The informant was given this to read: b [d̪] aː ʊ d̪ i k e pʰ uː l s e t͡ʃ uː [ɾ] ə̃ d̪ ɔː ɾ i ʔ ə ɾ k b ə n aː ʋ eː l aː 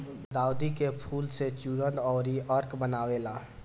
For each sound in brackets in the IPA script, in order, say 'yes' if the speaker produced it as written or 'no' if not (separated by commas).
yes, yes